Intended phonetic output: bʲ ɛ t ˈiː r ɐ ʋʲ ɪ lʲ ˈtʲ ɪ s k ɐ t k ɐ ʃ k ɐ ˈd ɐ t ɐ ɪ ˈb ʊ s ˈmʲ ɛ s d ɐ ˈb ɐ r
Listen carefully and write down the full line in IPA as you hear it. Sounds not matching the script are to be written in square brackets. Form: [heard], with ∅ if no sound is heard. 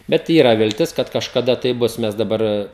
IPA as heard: bʲ ɛ t ˈiː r ɐ ʋʲ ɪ lʲ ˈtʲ ɪ s k ɐ t k ɐ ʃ k ɐ ˈd ɐ t ɐ ɪ ˈb ʊ s ˈmʲ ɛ s d ɐ ˈb ɐ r